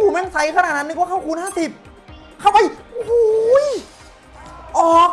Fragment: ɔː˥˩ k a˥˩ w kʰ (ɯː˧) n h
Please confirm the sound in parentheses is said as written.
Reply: no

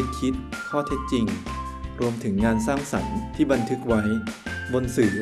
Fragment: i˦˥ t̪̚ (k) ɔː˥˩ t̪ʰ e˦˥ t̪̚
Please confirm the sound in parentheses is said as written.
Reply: no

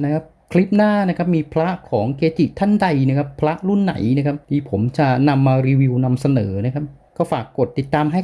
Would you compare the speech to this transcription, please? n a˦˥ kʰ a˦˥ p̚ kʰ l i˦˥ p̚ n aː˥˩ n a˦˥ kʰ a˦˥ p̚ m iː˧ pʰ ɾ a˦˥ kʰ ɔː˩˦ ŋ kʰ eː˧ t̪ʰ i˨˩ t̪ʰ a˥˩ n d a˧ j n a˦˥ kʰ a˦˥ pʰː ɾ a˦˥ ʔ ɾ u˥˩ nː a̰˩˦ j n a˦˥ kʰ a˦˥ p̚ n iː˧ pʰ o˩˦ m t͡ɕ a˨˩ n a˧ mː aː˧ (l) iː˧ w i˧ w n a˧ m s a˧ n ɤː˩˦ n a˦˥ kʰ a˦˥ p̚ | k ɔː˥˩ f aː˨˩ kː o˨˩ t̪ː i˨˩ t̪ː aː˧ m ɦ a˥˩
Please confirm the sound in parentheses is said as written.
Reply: no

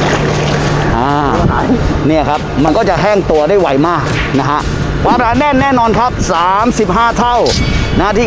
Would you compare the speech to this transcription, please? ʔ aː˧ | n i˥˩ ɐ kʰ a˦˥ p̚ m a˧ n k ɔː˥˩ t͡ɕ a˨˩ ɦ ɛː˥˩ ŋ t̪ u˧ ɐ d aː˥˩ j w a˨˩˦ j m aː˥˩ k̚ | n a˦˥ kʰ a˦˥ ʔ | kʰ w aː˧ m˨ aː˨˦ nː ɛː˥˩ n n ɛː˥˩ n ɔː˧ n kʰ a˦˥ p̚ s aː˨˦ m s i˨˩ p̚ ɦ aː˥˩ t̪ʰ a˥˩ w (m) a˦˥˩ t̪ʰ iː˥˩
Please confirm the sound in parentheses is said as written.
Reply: no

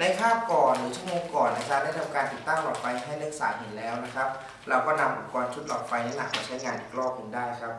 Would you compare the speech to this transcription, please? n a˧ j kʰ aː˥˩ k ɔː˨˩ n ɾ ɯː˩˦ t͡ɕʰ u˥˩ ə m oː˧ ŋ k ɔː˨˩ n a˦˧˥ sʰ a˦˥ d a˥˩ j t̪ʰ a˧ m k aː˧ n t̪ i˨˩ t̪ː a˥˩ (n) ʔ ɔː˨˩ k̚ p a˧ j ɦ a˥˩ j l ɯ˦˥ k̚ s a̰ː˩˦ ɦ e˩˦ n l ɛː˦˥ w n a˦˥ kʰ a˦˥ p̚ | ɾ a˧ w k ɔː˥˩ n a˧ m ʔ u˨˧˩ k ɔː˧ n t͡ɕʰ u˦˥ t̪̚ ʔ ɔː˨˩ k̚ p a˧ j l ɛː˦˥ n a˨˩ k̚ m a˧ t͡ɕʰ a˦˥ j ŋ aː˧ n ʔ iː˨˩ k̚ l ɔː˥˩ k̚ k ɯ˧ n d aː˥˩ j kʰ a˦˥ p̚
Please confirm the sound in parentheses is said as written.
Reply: no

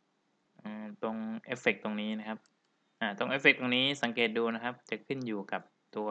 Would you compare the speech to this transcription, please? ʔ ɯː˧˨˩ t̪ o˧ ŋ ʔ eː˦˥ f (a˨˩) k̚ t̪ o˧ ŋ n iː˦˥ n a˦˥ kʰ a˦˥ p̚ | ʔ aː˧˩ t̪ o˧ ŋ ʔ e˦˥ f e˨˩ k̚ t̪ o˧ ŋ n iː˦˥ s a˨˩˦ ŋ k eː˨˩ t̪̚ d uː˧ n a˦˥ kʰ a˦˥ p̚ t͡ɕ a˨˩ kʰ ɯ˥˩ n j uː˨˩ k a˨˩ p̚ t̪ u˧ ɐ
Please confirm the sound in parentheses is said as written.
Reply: no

